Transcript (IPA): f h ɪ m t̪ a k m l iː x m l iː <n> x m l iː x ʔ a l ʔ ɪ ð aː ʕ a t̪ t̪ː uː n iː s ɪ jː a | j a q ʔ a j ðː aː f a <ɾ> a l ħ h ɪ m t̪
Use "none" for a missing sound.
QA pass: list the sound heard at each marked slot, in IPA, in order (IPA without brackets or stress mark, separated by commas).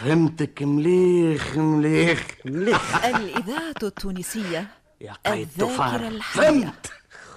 none, ɾ